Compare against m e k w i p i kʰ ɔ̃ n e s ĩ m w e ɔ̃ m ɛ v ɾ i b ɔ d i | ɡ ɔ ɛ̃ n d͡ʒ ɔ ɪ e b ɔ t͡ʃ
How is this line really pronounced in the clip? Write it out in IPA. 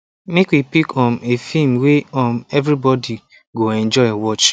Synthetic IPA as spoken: m e k w i p i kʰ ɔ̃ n e f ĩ m w e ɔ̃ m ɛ v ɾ i b ɔ d i | ɡ o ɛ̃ n d͡ʒ ɔ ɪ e w ɔ t͡ʃ

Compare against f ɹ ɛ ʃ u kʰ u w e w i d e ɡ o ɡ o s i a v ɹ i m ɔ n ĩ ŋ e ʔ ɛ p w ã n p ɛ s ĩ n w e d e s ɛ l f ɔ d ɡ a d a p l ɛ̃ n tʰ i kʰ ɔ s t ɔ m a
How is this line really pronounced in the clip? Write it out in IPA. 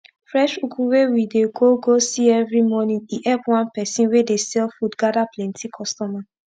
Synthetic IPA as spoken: f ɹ ɛ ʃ u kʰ u w e w i d e ɡ o ɡ o s i ɛ v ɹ i m ɔ n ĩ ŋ i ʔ ɛ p w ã n p ɛ s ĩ n w e d e s ɛ l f u d ɡ a d a p l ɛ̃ n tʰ i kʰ ɔ s t ɔ m a

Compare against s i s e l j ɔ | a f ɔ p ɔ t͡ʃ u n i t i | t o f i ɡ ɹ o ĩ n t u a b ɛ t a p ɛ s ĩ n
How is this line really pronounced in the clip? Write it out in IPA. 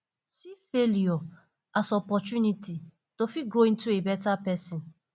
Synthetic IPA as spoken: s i f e l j ɔ | a s ɔ p ɔ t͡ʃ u n i t i | t o f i ɡ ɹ o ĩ n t u e b ɛ t a p ɛ s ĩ n

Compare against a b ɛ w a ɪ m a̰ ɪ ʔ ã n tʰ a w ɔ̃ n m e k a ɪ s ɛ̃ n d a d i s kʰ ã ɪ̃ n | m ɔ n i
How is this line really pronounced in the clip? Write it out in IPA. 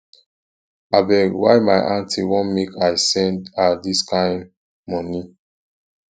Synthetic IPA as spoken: a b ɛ w a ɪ m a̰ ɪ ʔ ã n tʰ i w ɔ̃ n m e k a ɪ s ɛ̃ n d a d i s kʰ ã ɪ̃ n | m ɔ n i

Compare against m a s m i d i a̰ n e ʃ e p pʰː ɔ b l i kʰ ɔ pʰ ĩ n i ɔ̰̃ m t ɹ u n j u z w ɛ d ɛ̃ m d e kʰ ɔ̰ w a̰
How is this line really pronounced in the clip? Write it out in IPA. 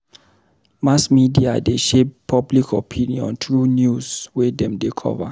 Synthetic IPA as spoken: m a s m i d i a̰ d e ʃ e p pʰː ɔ b l i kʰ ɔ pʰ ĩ n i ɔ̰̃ n t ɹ u n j u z w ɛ d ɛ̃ m d e kʰ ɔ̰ v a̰

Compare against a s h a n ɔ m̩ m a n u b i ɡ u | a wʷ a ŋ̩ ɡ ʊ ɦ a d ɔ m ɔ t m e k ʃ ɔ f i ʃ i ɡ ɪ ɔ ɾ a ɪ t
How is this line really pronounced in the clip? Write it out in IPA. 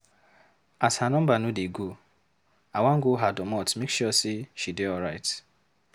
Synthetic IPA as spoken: a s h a n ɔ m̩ b a n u d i ɡ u | a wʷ a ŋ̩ ɡ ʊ ɦ a d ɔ m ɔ t m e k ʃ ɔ s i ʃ i d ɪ ɔ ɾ a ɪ t

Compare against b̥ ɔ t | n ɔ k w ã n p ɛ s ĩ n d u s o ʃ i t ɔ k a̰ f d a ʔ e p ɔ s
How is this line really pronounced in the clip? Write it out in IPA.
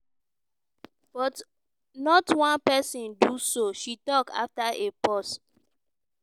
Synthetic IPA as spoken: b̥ ɔ t | n ɔ t w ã n p ɛ s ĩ n d u s o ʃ i t ɔ k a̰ f t a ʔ e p ɔ s

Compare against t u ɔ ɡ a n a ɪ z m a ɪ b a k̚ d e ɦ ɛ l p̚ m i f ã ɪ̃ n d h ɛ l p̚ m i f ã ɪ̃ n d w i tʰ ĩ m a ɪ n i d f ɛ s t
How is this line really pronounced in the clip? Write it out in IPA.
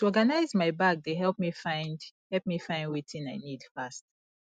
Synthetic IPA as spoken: t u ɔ ɡ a n a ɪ z m a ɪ b a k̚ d e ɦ ɛ l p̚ m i f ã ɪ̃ n d h ɛ l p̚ m i f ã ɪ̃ n d w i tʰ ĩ n a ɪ n i d f a s t

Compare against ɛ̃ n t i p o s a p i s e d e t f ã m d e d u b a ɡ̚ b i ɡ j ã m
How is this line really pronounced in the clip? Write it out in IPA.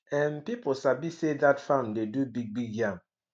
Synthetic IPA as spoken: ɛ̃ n p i p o s a b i s e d a t f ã m d e d u b i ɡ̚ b i ɡ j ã m

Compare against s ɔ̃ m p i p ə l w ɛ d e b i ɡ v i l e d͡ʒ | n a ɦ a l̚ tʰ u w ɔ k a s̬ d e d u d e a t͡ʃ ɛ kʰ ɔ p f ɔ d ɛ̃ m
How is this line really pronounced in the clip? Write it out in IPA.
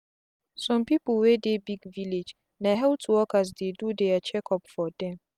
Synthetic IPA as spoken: s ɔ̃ m p i p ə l w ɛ d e b i ɡ v i l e d͡ʒ | n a ɦ ɛ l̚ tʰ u w ɔ k a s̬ d e d u d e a t͡ʃ ɛ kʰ ɔ p f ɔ d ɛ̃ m

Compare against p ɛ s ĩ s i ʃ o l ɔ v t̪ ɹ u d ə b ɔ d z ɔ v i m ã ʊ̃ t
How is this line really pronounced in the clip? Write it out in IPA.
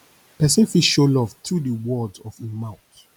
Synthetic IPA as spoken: p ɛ s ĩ f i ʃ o l ɔ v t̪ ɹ u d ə w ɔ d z ɔ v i m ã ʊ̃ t

